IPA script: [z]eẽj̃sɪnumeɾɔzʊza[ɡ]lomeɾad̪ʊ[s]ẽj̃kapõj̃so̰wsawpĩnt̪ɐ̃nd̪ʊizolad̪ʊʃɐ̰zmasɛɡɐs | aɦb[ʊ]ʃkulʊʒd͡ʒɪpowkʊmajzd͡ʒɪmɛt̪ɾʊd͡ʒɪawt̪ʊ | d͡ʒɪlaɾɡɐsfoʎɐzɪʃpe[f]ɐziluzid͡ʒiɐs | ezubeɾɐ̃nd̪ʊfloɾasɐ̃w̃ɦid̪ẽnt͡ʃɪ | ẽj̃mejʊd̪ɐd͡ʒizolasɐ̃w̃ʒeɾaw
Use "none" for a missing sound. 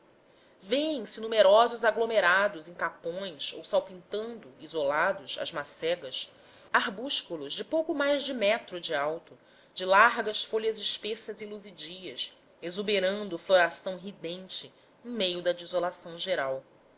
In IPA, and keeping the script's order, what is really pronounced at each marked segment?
v, ɡ, z, u, s

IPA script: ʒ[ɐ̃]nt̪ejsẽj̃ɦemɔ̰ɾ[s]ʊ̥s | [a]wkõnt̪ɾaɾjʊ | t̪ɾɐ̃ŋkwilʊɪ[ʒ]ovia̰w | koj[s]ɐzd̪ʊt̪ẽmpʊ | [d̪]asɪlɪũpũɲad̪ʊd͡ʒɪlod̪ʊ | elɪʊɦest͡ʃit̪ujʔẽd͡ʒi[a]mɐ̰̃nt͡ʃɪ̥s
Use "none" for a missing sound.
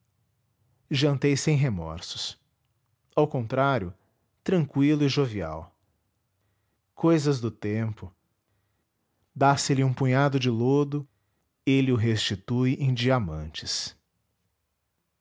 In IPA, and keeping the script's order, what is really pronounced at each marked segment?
ɐ̃, s, a, ʒ, z, d̪, a

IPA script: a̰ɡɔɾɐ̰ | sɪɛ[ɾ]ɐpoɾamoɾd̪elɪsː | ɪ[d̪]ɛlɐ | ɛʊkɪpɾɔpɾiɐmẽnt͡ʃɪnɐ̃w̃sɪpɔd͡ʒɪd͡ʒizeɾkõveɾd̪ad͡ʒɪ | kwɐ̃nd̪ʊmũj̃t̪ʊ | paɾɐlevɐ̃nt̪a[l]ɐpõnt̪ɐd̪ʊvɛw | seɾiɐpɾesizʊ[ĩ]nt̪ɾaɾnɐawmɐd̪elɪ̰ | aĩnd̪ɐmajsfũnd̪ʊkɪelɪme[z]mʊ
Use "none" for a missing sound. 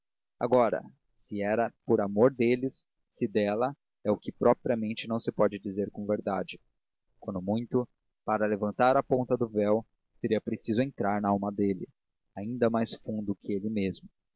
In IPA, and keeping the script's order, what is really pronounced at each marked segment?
ɾ, d̪, ɾ, ẽ, z

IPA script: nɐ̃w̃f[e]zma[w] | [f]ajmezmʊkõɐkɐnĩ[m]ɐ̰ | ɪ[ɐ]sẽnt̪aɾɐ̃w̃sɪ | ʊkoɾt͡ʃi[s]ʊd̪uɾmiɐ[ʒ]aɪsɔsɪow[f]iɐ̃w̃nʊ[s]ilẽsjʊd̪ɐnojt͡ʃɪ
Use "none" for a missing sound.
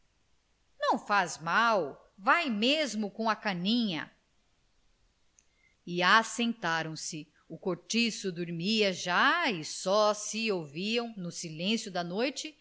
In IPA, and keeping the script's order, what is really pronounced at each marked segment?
a, w, v, ɲ, a, s, ʒ, v, s

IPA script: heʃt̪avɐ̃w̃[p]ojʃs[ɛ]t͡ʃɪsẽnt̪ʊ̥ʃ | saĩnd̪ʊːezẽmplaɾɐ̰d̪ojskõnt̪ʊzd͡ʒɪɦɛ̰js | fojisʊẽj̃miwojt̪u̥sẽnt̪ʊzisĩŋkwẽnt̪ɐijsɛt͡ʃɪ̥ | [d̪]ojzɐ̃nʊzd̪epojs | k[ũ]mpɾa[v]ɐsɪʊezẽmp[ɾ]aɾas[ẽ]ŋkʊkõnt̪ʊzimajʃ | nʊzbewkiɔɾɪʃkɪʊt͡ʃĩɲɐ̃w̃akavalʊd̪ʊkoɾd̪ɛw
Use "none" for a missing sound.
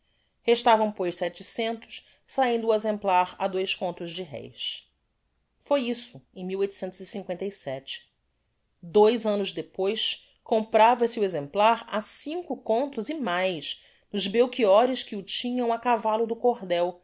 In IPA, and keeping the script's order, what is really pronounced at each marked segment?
p, ɛ, d̪, õ, v, l, ĩ

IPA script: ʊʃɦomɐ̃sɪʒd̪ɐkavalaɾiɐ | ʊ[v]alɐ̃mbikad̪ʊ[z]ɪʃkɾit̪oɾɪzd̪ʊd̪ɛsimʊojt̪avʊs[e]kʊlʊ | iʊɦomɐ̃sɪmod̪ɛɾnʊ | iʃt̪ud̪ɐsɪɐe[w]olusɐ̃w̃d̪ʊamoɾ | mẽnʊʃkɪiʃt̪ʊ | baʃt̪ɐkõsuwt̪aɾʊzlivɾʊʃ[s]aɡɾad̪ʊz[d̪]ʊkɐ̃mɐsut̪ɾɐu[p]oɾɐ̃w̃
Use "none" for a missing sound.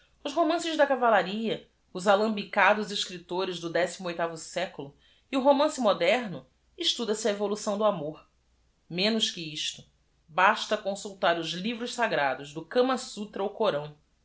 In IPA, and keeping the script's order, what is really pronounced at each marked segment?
z, z, ɛ, v, s, d̪, k

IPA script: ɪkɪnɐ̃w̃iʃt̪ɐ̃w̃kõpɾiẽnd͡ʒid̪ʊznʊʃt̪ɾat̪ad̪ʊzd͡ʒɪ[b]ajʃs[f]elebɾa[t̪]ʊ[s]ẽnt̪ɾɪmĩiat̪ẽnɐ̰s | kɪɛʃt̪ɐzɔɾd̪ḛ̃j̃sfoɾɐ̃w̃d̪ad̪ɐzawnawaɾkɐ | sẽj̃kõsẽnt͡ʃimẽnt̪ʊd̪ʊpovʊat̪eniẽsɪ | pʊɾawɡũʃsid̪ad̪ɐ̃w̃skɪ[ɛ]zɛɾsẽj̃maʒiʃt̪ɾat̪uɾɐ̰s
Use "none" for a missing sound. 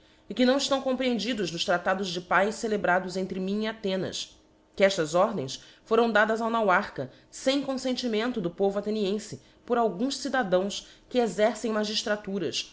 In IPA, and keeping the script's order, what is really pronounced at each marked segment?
p, s, d̪, z, e

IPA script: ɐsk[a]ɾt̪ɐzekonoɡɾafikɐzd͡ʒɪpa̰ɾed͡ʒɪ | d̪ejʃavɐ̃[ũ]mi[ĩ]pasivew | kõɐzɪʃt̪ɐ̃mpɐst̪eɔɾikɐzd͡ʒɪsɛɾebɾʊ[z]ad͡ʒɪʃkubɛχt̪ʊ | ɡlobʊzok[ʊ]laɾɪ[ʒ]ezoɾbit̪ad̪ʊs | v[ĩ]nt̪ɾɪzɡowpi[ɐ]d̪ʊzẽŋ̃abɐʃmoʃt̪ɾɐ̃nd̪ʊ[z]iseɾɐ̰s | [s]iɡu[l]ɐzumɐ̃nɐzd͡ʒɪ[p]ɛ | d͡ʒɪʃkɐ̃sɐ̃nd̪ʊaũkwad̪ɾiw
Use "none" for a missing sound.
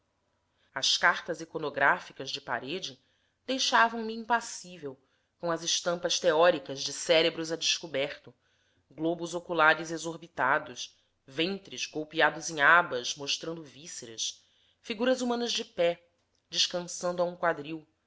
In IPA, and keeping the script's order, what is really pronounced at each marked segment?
a, w̃, ĩ, z, u, z, ẽ, a, v, f, ɾ, p

